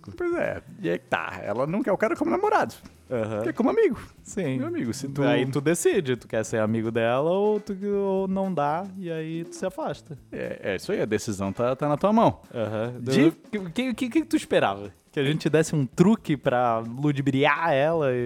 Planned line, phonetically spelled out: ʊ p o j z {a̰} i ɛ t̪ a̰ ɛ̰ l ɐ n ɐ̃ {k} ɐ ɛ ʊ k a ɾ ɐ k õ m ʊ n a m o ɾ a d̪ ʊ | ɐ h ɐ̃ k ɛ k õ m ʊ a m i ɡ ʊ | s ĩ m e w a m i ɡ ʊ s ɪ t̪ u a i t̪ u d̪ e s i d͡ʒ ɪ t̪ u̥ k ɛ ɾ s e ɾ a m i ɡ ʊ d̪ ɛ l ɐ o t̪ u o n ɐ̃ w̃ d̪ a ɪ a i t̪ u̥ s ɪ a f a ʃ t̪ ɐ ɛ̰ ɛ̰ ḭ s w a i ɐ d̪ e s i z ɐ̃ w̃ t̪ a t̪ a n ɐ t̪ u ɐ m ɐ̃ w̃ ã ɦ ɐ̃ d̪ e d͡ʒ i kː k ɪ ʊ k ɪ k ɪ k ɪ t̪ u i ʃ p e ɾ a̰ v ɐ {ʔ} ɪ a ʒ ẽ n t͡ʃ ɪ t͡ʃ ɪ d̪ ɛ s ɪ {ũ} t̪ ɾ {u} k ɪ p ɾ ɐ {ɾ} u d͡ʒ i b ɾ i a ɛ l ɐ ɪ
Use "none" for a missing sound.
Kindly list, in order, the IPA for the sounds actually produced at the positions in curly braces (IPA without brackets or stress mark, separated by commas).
ɛ̰, k, k, ũ, u, l